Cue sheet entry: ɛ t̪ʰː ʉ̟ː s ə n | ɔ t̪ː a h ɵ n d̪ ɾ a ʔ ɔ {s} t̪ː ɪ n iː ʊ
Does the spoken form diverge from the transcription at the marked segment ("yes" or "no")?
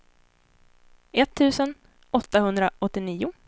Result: yes